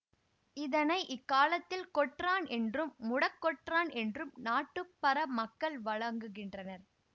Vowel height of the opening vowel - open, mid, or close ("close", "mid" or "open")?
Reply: close